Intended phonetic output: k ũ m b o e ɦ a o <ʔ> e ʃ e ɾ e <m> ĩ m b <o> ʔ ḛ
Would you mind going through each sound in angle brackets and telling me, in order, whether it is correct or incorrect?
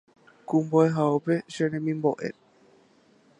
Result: incorrect, correct, correct

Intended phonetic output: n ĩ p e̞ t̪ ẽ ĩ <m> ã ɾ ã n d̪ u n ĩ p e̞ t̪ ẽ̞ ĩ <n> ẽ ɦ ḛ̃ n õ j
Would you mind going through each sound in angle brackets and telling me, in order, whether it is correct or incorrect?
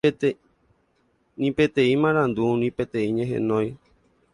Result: correct, incorrect

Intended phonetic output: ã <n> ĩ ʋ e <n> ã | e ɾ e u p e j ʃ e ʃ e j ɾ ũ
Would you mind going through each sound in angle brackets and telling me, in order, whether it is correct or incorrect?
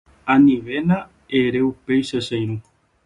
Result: correct, correct

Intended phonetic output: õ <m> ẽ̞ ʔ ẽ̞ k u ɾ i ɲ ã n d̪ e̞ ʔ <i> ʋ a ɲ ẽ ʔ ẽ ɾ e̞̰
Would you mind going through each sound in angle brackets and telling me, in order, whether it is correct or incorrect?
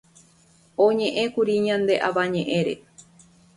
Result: incorrect, incorrect

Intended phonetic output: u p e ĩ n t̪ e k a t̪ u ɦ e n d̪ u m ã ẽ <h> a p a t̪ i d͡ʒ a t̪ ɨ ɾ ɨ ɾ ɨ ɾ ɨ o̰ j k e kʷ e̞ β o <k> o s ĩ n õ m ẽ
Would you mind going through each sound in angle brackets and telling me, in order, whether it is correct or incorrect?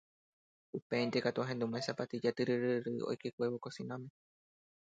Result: incorrect, correct

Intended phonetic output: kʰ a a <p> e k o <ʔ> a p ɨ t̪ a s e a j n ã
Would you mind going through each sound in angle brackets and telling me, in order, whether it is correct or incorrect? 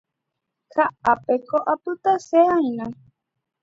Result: correct, correct

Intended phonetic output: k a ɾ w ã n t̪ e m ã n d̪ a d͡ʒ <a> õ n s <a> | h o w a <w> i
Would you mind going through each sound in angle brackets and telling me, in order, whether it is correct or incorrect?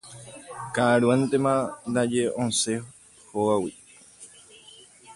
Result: incorrect, incorrect, correct

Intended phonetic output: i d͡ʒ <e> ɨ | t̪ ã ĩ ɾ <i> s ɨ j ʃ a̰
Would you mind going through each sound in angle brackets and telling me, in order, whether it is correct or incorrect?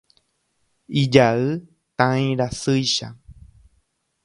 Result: incorrect, incorrect

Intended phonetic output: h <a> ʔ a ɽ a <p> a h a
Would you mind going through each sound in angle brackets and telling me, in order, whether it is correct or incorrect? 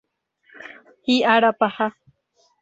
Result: incorrect, correct

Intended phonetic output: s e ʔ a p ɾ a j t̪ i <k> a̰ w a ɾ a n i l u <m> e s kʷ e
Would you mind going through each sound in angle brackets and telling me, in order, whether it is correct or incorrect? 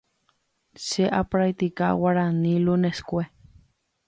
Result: correct, incorrect

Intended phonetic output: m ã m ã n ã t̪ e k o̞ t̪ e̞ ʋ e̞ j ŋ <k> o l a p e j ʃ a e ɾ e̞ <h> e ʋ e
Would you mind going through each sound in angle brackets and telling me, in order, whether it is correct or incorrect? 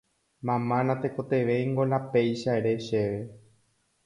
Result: incorrect, incorrect

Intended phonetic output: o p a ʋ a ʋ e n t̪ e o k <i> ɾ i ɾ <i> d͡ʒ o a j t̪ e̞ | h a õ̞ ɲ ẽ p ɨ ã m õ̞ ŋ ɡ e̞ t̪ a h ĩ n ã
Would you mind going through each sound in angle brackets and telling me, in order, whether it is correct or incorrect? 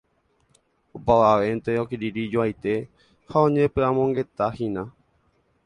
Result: correct, correct

